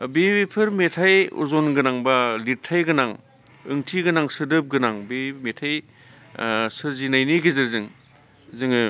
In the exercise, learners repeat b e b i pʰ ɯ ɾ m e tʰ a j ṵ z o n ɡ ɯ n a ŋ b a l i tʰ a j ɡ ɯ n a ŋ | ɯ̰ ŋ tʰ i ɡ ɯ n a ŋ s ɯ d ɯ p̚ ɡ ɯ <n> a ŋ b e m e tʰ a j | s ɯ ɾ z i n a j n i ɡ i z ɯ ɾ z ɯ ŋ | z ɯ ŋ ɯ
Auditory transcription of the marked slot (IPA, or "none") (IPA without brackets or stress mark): n